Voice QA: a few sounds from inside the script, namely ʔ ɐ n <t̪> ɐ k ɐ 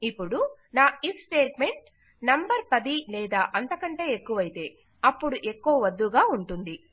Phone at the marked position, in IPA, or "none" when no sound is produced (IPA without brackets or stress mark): t̪